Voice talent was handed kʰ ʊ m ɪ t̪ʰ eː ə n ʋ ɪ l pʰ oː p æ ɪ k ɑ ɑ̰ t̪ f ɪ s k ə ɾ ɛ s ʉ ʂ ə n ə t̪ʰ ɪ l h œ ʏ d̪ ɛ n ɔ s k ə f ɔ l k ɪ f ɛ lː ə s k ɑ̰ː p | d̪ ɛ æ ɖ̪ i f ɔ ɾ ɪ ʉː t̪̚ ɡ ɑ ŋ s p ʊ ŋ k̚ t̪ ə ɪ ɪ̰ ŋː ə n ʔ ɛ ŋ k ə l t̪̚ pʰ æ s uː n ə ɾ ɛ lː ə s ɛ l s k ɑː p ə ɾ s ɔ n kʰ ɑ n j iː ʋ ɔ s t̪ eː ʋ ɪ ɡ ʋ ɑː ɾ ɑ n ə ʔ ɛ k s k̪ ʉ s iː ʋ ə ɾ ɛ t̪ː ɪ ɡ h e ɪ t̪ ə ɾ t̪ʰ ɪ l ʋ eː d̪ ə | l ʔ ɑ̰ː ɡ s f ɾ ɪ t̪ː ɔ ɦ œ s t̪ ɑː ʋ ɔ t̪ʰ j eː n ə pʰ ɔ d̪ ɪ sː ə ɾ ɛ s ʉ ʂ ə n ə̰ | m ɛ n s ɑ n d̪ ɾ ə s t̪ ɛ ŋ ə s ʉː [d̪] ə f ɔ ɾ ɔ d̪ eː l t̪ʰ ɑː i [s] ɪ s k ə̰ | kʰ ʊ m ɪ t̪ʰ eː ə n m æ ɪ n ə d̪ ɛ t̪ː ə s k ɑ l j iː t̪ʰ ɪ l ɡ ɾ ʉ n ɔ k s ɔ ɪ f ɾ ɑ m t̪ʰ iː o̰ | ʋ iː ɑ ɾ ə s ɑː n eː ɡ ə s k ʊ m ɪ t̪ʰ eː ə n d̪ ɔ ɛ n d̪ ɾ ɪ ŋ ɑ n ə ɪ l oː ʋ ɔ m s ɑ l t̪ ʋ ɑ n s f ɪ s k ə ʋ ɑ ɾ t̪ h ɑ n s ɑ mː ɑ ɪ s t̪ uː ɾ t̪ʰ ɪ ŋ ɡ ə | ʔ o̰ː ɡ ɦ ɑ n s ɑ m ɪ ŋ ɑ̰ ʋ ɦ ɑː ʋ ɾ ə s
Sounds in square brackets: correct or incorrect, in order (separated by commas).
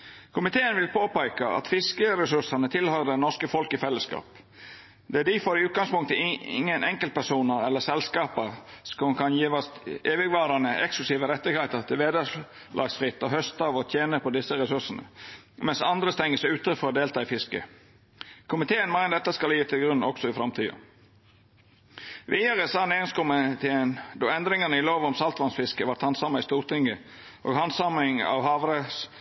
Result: incorrect, incorrect